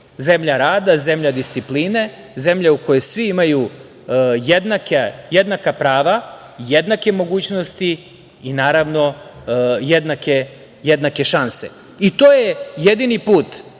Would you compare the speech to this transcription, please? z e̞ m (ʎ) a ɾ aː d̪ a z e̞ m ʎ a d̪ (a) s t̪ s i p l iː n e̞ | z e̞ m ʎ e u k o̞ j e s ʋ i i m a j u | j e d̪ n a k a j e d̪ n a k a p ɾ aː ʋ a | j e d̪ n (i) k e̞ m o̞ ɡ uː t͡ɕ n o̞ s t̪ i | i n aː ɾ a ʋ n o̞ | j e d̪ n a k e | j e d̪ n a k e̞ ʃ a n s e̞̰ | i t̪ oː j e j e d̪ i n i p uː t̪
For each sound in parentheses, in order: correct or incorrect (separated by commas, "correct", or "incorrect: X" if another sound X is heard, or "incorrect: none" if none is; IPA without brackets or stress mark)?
correct, incorrect: i, incorrect: a